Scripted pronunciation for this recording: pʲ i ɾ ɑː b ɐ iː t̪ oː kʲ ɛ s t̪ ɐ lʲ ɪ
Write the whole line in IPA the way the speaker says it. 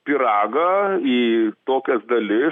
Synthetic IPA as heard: pʲ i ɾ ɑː ɡ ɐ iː t̪ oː kʲ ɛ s d̪ ɐ lʲ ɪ

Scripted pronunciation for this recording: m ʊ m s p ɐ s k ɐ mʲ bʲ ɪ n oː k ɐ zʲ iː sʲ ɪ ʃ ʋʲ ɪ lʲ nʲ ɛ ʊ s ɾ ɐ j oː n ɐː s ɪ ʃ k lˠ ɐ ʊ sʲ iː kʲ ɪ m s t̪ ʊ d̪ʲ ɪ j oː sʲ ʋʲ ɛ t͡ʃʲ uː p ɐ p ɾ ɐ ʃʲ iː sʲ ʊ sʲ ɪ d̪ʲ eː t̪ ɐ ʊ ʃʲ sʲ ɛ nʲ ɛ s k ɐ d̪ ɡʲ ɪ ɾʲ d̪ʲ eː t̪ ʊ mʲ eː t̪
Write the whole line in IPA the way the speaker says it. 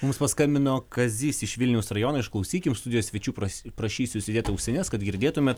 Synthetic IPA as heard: m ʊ m s p ɐ s k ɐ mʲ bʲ ɪ n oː k ɐ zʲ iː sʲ ɪ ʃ ʋʲ ɪ lʲ nʲ ɛ ʊ s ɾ ɐ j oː n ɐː ɪ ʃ k lˠ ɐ ʊ sʲ iː kʲ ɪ m s t̪ ʊ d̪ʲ ɪ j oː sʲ ʋʲ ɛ t͡ʃʲ uː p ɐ p ɾ ɐ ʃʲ iː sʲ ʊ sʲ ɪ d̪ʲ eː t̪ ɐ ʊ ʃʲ sʲ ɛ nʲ ɛ s k ɐ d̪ ɡʲ ɪ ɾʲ d̪ʲ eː t̪ ʊ mʲ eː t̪

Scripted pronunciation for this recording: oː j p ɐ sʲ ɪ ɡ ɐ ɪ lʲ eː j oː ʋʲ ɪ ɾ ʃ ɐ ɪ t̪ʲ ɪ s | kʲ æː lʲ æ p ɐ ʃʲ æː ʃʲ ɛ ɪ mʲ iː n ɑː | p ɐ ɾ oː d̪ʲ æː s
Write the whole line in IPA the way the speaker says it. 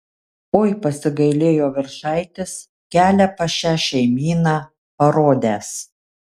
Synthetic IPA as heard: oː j p ɐ sʲ ɪ ɡ ɐ ɪ lʲ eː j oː ʋʲ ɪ ɾ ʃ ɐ ɪ t̪ʲ ɪ s | kʲ æː lʲ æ p ɐ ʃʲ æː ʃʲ ɛ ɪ mʲ iː n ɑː | p ɐ ɾ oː d̪ʲ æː s

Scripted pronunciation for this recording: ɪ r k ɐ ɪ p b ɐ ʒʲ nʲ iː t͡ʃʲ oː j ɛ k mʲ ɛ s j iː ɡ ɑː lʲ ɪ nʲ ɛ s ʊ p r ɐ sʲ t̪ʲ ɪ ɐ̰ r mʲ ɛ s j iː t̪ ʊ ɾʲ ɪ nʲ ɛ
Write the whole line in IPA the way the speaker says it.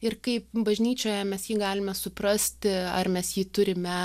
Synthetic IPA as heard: ɪ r k ɐ ɪ p b ɐ ʒʲ nʲ iː t͡ʃʲ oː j ɛ mʲ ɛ s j iː ɡ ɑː lʲ ɪ mʲ ɛ s ʊ p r ɐ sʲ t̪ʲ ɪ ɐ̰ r mʲ ɛ s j iː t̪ ʊ ɾʲ ɪ mʲ ɛ

